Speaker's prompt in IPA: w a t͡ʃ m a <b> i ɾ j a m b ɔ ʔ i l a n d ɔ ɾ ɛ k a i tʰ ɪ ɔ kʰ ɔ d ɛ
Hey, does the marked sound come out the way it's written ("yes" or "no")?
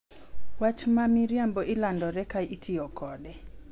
no